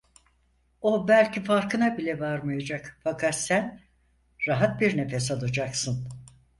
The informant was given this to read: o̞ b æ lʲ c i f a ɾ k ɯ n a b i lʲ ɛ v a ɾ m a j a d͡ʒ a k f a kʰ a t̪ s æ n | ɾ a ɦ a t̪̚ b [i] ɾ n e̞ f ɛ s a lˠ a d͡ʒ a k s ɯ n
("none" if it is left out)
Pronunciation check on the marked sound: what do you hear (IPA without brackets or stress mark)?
i